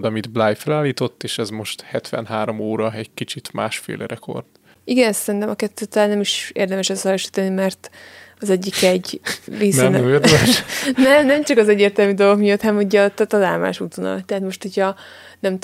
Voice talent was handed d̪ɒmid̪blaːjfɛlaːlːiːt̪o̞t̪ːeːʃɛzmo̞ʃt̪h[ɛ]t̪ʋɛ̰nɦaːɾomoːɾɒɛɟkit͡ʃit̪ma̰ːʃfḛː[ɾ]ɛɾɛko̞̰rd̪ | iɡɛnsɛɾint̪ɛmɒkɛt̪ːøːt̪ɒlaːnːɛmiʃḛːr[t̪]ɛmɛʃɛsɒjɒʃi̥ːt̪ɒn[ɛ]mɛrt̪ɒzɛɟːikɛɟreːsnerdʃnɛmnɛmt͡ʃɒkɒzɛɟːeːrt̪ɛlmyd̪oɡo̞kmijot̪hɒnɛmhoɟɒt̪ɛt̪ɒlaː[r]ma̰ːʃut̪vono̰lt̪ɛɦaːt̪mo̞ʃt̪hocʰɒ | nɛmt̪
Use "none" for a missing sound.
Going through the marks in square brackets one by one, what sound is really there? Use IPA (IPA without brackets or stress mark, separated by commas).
ɛ, l, d̪, i, l